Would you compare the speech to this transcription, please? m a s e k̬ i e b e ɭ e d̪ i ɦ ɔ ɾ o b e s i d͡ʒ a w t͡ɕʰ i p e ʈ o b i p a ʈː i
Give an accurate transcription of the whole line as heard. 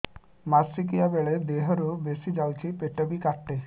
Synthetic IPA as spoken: m a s i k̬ i a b e ɭ e d̪ e ɦ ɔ ɾ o b e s i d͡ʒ a w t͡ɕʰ i p e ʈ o b i k a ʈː e